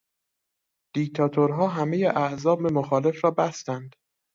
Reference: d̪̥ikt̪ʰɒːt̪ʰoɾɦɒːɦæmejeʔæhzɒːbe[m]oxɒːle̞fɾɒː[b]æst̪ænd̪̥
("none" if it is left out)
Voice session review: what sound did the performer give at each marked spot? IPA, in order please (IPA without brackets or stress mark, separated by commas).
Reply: m, b